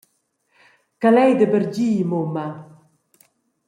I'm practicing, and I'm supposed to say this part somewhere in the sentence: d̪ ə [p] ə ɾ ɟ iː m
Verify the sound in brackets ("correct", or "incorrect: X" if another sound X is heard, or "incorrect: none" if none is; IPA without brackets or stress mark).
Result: incorrect: b